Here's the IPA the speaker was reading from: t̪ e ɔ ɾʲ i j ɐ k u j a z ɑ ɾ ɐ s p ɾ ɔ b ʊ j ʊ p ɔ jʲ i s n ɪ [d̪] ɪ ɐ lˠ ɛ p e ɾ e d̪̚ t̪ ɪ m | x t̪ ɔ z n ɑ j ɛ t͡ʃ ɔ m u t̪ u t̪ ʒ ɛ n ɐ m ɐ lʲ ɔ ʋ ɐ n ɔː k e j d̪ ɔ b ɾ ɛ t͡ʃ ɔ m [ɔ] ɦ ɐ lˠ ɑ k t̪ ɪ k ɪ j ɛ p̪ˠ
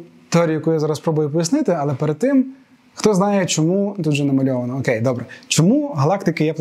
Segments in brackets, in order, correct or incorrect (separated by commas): incorrect, incorrect